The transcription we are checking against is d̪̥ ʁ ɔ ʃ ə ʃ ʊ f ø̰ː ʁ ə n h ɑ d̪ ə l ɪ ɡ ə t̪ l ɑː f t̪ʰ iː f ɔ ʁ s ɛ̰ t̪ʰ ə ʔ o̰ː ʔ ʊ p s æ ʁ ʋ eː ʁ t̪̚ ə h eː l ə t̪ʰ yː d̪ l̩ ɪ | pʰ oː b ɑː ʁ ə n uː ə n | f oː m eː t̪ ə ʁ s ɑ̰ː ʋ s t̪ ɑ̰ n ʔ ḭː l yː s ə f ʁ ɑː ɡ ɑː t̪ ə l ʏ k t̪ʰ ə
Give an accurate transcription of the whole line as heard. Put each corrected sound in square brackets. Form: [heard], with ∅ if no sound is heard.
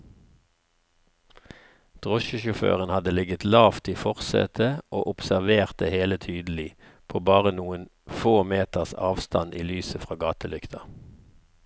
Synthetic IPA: d̪̥ ʁ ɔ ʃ ə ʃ ʊ f ø̰ː ʁ ə n h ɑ d̪ ə l ɪ ɡ ə t̪ l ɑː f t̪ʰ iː f ɔ ʁ s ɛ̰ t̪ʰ ə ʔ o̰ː ʔ ʊ p s æ ʁ ʋ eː ʁ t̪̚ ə h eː l ə t̪ʰ yː d̪ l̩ ɪ | pʰ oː b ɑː ʁ ə n uː ə n | f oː m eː t̪ ə ʁ s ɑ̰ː ʋ s t̪ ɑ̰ n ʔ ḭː l yː s ə f ʁ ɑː ɡ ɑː t̪ ə l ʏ k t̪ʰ [ɑ]